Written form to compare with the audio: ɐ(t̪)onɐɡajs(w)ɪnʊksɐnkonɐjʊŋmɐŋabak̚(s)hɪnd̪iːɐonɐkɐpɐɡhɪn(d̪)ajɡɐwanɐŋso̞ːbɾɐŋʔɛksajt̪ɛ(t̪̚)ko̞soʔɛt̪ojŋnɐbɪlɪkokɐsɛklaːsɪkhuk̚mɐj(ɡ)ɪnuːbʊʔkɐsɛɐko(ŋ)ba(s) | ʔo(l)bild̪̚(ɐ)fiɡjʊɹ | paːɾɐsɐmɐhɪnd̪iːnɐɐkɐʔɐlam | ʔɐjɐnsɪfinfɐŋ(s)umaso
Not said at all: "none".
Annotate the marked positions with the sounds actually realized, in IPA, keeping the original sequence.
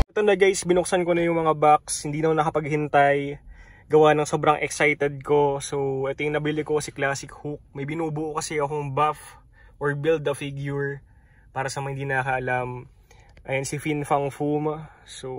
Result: t̪, b, s, t̪, d̪̚, b, ŋ, f, ɹ, ɐ, f

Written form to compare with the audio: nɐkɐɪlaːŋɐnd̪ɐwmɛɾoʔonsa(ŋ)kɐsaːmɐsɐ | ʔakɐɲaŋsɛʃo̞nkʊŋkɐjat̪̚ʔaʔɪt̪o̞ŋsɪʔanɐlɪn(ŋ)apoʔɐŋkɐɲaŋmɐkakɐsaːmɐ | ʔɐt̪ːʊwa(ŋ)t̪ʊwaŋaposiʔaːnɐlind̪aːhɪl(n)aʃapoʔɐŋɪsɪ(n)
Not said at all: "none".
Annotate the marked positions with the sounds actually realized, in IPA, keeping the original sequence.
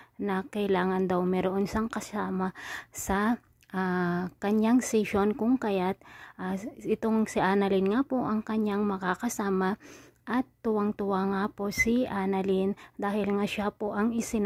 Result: ŋ, ŋ, ŋ, ŋ, n

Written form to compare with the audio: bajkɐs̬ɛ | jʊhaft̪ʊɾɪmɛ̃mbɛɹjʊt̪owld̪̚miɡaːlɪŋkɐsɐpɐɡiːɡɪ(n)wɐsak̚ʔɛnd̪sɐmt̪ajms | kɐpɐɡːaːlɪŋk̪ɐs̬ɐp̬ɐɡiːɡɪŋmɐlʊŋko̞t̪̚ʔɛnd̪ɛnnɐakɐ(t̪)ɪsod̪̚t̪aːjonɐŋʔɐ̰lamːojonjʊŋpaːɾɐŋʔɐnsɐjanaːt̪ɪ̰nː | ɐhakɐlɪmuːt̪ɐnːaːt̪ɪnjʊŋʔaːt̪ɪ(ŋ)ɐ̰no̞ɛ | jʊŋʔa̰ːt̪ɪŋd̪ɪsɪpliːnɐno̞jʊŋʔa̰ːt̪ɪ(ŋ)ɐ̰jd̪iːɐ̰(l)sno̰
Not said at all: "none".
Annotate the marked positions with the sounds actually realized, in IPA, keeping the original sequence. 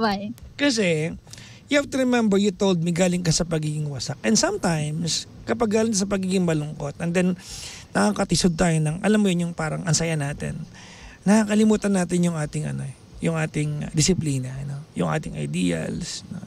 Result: ŋ, t̪, ŋ, ŋ, l

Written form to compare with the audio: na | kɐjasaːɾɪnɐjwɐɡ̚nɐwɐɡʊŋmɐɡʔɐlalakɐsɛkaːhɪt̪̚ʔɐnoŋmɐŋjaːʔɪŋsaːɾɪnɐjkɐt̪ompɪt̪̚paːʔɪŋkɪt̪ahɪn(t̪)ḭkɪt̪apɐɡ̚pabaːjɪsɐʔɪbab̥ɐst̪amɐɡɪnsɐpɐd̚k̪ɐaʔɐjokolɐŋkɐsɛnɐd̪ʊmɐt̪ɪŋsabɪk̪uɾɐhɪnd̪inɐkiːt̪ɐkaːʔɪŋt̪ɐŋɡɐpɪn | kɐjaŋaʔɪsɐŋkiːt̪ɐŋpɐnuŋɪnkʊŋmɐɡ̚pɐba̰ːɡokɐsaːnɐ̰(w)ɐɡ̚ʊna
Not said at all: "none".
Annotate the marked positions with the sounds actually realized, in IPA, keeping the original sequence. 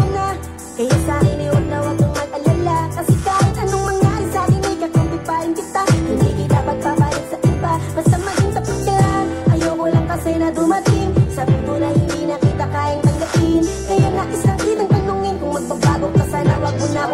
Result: d̪, w

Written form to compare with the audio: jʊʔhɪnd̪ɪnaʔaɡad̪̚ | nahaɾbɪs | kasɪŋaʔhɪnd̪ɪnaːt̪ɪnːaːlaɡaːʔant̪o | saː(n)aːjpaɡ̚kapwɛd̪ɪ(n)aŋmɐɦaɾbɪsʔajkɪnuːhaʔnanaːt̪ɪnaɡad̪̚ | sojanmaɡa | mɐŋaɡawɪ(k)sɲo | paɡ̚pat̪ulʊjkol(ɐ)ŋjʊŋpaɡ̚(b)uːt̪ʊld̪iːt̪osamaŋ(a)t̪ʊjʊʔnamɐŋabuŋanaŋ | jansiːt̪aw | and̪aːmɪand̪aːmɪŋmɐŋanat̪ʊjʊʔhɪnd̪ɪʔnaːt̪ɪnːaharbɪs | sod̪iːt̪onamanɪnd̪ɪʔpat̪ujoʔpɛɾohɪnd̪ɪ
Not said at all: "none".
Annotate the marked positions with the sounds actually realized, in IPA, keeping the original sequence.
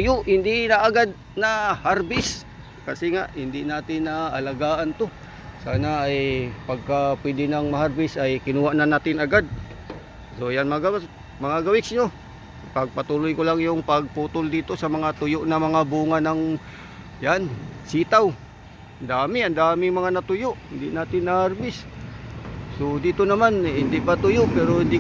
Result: n, n, k, a, p, a

